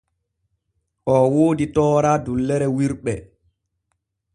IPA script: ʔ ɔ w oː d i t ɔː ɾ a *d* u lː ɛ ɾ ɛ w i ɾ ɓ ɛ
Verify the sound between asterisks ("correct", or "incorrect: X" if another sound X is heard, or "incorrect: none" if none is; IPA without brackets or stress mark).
correct